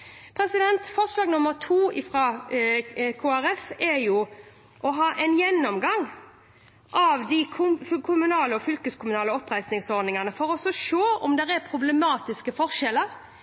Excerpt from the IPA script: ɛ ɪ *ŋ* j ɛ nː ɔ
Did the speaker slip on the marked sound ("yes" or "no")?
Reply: yes